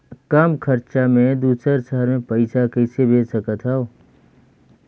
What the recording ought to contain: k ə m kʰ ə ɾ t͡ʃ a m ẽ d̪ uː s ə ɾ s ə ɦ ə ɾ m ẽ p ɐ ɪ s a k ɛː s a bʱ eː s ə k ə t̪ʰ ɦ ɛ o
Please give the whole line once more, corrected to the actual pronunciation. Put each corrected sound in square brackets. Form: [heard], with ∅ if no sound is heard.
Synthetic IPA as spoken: k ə m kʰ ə ɾ t͡ʃ a m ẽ d̪ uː s ə ɾ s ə ɦ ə ɾ m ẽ p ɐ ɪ s a k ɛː s [e] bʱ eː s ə k ə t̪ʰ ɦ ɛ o